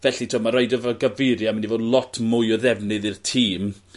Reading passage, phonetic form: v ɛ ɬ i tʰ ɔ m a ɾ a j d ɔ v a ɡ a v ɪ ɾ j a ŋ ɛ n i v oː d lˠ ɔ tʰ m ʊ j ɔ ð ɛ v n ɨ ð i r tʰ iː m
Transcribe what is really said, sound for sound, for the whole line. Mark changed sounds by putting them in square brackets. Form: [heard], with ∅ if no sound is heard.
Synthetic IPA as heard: v ɛ ɬ i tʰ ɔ m a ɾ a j d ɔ v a ɡ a v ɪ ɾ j a [m] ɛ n i v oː d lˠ ɔ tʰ m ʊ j ɔ ð ɛ v n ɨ ð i r tʰ iː m